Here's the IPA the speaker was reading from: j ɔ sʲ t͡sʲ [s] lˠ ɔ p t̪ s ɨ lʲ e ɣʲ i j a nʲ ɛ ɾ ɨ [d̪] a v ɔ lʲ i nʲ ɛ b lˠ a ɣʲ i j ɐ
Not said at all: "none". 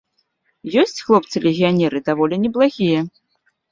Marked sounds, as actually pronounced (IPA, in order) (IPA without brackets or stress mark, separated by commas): x, d̪